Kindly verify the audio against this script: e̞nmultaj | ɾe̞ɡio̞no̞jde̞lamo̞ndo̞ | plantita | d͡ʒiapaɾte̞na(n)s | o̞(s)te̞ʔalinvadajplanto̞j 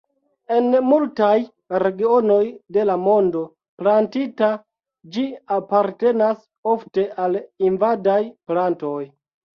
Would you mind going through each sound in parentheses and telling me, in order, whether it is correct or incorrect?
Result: incorrect: none, incorrect: f

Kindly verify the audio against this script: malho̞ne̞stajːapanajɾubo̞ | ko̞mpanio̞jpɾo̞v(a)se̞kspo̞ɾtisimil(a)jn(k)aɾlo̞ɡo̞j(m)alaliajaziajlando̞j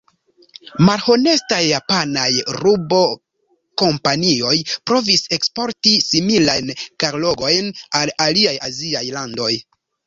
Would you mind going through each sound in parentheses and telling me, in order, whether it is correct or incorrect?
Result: incorrect: i, correct, correct, incorrect: n

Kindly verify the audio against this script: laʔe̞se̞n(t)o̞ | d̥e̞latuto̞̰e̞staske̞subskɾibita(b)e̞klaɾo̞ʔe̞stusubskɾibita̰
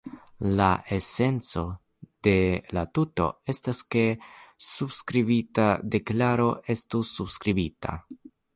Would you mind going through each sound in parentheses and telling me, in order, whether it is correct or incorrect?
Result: incorrect: t͡s, incorrect: d

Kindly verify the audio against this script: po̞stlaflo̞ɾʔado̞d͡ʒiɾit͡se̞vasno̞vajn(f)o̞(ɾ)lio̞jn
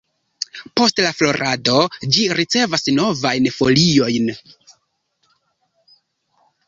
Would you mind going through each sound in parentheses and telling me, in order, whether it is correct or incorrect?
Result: correct, incorrect: none

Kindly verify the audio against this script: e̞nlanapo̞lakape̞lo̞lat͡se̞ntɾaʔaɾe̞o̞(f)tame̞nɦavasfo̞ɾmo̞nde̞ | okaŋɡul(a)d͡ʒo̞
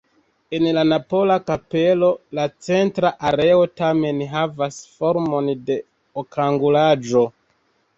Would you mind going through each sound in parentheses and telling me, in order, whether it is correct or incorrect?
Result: incorrect: none, correct

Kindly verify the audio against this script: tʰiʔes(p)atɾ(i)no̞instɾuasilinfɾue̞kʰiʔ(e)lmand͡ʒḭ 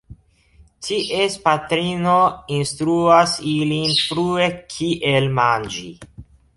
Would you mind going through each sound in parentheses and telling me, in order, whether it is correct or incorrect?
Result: correct, correct, correct

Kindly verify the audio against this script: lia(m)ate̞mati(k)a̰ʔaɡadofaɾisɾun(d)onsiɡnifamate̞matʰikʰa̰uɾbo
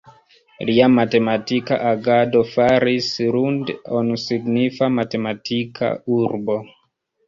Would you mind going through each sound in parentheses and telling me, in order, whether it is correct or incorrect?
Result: correct, correct, correct

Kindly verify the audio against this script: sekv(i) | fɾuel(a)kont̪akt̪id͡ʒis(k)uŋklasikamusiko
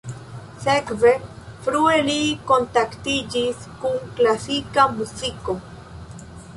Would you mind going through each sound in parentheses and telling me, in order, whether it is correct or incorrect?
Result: incorrect: e, incorrect: i, correct

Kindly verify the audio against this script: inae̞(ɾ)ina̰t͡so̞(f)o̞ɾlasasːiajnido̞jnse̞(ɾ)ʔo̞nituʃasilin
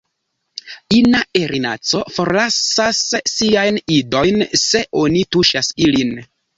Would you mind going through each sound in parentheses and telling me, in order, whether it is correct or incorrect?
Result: correct, correct, incorrect: none

